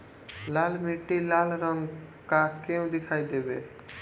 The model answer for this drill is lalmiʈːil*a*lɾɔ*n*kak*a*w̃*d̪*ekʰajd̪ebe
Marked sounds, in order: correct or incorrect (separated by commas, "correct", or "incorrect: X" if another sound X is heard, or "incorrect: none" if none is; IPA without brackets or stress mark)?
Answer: correct, incorrect: ŋ, incorrect: e, correct